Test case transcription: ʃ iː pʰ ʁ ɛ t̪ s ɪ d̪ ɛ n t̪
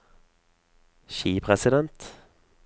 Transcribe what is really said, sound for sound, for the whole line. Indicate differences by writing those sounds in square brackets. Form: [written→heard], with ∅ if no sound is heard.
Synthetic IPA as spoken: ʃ iː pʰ ʁ ɛ [t̪→∅] s ɪ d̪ ɛ n t̪